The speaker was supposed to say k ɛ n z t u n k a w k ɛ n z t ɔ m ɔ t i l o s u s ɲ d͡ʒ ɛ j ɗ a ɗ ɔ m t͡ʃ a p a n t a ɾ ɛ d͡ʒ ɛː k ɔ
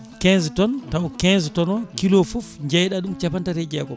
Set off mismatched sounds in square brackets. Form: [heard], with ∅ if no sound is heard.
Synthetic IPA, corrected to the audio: k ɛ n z t [ɔ] n [t] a w k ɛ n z t ɔ [n] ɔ [k] i l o [f] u [f] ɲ d͡ʒ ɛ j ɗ a ɗ [u] m t͡ʃ a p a n t a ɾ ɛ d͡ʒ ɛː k ɔ